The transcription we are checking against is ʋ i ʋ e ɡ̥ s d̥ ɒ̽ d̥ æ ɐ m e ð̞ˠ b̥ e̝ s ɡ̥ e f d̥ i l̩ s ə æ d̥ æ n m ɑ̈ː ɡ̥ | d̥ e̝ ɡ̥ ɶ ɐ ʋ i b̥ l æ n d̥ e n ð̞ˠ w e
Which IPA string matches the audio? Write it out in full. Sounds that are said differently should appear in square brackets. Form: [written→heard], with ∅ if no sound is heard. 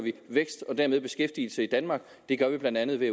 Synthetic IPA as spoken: ʋ i ʋ e ɡ̥ s d̥ ɒ̽ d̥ æ ɐ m e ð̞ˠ b̥ e̝ s ɡ̥ e f d̥ i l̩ s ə [æ→i] d̥ æ n m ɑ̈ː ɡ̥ | d̥ e̝ ɡ̥ ɶ ɐ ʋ i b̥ l æ n d̥ [e→æ] n ð̞ˠ [w→ʋ] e